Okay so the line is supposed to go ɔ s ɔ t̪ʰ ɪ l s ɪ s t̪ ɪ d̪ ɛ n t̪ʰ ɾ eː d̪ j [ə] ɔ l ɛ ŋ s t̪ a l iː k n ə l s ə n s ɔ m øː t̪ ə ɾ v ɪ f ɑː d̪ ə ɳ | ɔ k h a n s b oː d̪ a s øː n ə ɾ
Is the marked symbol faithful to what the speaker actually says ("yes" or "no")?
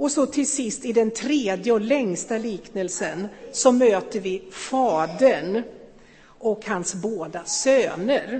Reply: yes